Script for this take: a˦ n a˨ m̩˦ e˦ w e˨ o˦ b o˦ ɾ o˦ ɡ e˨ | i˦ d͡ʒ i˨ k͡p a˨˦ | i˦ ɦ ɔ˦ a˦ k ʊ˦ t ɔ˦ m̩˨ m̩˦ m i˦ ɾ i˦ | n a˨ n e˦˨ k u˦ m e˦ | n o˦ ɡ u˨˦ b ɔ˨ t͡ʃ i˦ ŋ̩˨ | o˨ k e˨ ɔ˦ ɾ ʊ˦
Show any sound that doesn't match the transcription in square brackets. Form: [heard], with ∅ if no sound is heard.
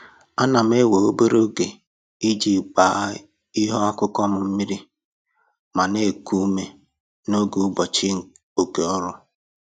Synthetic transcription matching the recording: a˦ n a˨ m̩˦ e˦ w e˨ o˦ b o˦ ɾ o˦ ɡ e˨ | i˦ d͡ʒ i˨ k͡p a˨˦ | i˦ ɦ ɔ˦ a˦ k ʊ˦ [k] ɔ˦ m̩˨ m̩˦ m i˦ ɾ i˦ | [m] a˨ n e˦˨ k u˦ m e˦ | n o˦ ɡ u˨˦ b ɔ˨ t͡ʃ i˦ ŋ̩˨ | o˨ k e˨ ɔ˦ ɾ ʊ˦